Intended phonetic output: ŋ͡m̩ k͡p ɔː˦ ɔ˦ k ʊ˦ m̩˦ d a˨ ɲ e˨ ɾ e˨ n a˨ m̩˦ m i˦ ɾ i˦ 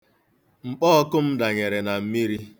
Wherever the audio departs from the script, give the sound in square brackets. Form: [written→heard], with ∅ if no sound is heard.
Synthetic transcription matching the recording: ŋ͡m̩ k͡p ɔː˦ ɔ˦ k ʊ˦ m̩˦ d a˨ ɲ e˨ ɾ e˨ n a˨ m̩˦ m i˦ ɾ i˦